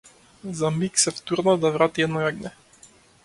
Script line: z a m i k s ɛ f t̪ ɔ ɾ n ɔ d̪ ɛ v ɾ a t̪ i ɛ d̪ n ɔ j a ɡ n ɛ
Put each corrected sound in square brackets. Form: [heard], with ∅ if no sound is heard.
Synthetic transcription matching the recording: z a m i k s ɛ f t̪ [u] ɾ n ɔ d̪ [a] v ɾ a t̪ i ɛ d̪ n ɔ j a ɡ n ɛ